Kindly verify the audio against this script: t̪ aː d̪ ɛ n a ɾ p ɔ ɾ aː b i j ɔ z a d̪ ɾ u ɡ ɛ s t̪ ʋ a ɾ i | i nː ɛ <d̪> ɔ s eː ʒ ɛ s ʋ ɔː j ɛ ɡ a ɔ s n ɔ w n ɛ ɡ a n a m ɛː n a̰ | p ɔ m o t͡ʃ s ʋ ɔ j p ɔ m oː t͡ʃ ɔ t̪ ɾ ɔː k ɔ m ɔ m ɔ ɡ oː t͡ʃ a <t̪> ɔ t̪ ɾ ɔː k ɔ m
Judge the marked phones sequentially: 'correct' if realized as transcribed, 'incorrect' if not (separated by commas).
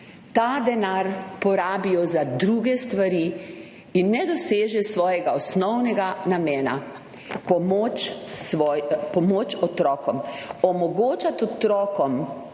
correct, correct